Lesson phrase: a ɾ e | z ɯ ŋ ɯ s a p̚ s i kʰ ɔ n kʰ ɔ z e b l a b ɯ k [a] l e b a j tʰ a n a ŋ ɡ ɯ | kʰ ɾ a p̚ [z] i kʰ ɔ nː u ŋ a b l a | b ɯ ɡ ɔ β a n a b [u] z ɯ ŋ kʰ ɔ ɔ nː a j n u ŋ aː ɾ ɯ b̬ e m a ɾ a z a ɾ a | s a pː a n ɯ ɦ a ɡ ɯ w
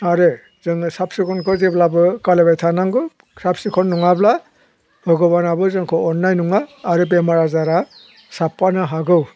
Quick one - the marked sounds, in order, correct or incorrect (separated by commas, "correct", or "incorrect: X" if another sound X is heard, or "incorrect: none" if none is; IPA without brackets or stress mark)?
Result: correct, incorrect: s, incorrect: ɯ